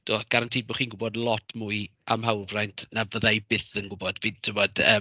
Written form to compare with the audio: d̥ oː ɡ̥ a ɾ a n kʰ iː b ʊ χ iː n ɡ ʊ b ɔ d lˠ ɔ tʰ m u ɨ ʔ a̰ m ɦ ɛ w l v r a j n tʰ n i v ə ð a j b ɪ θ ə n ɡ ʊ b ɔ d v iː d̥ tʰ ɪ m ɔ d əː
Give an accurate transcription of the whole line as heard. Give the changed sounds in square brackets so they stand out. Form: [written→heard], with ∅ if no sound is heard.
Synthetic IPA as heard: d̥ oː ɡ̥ a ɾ a n [kʰ→tʰ] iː b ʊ χ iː n ɡ ʊ b ɔ d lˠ ɔ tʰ m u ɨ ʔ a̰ m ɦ [ɛ→a] w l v r a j n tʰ n [i→a] v ə ð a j b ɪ θ ə n ɡ ʊ b ɔ d v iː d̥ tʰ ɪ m ɔ d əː

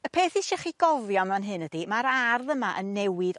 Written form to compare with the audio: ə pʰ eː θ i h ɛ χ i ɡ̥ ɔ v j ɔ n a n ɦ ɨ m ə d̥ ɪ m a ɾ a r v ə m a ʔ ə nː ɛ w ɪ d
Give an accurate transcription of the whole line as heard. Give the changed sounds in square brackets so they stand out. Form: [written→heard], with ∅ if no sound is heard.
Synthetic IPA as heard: ə pʰ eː θ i [h→ʃ] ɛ χ i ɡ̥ ɔ v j ɔ n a n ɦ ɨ [m→n] ə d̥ [ɪ→i] m a ɾ a r [v→ð] ə m a ʔ ə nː ɛ w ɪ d

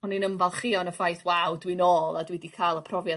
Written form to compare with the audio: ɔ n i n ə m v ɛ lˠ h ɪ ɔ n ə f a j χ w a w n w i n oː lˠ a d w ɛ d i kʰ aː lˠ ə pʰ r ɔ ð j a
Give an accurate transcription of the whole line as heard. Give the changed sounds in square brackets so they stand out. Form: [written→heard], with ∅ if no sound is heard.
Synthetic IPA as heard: ɔ n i n ə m v [ɛ→a] lˠ [h→χ] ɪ ɔ n ə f a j [χ→θ] w a w [n→d] w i n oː lˠ a d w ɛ d i kʰ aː lˠ ə pʰ r ɔ [ð→v] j a

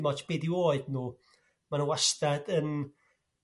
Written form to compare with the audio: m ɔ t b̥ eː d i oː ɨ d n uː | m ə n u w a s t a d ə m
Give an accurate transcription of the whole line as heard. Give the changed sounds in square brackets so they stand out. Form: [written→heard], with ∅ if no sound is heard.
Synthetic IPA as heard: m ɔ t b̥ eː d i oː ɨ d n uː | m [ə→a] n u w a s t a d ə [m→n]

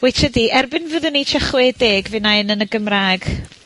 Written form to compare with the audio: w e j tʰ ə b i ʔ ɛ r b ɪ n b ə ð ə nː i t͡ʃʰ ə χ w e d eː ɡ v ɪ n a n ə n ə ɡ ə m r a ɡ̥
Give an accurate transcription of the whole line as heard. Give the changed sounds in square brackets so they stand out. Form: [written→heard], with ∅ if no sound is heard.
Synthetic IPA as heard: w e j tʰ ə [b→d] i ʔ ɛ r b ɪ n [b→v] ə ð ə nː i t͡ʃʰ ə χ w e d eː ɡ v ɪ n a n ə n ə ɡ ə m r a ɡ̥

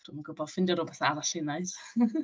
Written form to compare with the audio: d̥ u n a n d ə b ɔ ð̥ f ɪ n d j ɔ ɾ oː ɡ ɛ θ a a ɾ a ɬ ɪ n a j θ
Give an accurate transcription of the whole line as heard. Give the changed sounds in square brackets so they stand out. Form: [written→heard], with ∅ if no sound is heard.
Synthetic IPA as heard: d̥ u [n→m] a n [d→ɡ] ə b ɔ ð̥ f ɪ n d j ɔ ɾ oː [ɡ→b] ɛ θ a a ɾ a ɬ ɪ n a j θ

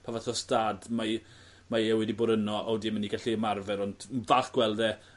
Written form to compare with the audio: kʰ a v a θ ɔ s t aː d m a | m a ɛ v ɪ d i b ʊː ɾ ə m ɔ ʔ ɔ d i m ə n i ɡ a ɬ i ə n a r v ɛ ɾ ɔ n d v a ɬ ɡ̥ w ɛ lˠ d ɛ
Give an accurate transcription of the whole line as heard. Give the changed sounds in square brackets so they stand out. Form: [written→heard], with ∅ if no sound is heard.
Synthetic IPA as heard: [kʰ→pʰ] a v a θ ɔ s t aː d m a | m a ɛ [v→w] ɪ d i b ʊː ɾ ə [m→n] ɔ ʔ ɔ d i m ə n i ɡ a ɬ i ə [n→m] a r v ɛ ɾ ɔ n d v a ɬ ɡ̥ w ɛ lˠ d ɛ

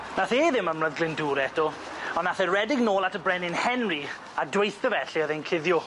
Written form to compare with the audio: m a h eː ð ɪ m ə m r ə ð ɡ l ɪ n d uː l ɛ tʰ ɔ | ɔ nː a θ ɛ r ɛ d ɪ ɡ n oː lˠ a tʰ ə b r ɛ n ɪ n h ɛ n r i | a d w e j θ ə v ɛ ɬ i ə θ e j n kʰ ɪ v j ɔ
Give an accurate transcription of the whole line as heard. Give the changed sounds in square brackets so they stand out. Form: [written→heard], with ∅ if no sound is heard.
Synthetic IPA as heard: [m→n] a [h→θ] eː ð ɪ m ə m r ə ð ɡ l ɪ n d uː [l→ɾ] ɛ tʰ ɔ | ɔ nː a θ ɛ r ɛ d ɪ ɡ n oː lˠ a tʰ ə b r ɛ n ɪ n h ɛ n r i | a d w e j θ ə v ɛ ɬ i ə [θ→ð] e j n kʰ ɪ [v→ð] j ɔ

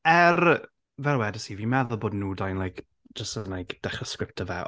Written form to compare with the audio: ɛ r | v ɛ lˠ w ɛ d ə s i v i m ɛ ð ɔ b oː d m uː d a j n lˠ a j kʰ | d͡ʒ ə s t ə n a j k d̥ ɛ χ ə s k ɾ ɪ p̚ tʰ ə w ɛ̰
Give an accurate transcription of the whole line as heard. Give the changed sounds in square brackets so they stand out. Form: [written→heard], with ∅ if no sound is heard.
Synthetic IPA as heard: ɛ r | v ɛ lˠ w ɛ d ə s i v i m ɛ ð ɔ b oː d [m→n] uː d a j n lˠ a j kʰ | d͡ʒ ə s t ə n a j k d̥ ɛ χ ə s k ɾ ɪ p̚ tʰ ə [w→v] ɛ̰

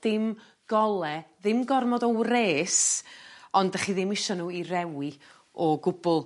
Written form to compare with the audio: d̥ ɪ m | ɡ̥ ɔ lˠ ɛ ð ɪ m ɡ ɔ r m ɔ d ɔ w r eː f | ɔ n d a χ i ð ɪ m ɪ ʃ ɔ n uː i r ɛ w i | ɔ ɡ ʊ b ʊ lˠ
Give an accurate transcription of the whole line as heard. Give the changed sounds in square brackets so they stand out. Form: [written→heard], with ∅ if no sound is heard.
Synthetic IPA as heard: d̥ ɪ m | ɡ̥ ɔ lˠ ɛ ð ɪ m ɡ ɔ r m ɔ d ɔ w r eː [f→s] | ɔ n d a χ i ð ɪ m ɪ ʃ ɔ n uː i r ɛ w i | ɔ ɡ ʊ b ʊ lˠ

